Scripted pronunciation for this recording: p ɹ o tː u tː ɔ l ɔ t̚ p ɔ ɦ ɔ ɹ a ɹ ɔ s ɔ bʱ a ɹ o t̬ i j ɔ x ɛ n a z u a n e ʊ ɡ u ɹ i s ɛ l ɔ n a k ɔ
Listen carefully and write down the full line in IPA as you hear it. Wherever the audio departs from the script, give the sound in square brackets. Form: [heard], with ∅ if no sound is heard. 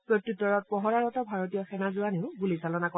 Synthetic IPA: p ɹ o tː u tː ɔ [ɹ] ɔ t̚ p ɔ ɦ ɔ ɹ a ɹ ɔ [t] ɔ bʱ a ɹ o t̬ i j ɔ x ɛ n a z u a n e ʊ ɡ u [l] i s [a] l ɔ n a k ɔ